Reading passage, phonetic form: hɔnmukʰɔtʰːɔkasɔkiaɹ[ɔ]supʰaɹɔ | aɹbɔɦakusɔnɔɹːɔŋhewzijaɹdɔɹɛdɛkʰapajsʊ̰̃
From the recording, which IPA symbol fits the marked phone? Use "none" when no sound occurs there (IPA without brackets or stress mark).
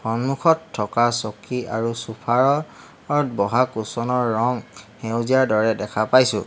u